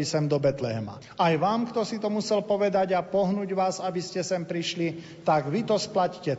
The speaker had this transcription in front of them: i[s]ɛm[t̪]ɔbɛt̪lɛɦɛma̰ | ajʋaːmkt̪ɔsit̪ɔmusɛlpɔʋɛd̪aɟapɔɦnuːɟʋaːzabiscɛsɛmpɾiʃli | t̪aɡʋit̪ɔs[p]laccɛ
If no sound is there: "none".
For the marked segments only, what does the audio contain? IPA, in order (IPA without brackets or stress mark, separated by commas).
s, d̪, p